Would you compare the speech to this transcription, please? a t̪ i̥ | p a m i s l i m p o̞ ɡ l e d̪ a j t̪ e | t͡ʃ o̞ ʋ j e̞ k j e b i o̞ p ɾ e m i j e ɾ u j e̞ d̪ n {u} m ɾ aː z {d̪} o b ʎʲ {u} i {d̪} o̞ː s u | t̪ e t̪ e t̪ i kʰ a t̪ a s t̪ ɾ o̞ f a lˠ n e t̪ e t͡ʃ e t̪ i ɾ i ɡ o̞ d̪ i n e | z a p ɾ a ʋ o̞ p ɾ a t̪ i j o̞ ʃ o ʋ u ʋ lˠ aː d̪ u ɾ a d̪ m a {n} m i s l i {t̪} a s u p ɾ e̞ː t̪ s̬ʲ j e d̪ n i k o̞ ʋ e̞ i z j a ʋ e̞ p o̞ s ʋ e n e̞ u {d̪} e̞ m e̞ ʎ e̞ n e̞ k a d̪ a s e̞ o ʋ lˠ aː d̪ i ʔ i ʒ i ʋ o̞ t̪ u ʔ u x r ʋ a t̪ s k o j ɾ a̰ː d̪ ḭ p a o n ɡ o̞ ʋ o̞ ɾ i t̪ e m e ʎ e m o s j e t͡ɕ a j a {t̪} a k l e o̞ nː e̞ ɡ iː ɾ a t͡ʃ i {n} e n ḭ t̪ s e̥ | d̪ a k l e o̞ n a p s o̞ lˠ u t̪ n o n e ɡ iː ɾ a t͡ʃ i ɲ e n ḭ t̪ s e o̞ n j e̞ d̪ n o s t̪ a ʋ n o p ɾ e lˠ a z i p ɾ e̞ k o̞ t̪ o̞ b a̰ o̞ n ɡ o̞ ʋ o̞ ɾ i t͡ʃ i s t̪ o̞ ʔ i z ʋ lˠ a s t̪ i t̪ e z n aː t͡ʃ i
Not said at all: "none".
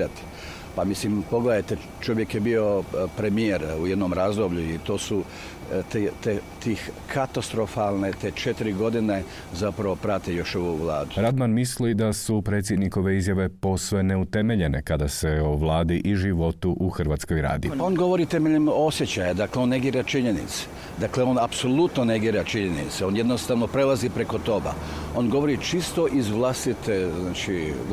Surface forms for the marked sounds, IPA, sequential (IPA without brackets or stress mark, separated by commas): o, d̪, u, t̪, n, d̪, t̪, d̪, ɲ